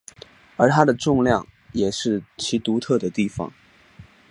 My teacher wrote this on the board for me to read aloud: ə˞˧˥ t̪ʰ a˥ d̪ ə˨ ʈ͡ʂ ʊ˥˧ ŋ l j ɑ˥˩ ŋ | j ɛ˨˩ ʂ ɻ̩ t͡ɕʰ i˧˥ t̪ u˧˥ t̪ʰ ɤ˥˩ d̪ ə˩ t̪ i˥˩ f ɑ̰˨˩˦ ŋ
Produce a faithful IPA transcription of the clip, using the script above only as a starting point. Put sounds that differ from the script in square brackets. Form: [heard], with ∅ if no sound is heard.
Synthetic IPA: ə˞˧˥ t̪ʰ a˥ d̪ ə˨ ʈ͡ʂ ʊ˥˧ ŋ l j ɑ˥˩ ŋ | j ɛ˨˩ ʂ ɻ̩ t͡ɕʰ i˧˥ t̪ u˧˥ t̪ʰ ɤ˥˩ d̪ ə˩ t̪ i˥˩ f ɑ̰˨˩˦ ŋ